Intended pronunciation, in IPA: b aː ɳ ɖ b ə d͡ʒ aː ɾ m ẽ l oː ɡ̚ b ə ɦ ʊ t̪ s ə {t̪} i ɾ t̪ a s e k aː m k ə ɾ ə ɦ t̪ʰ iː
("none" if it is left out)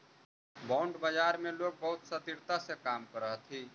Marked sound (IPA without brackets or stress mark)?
t̪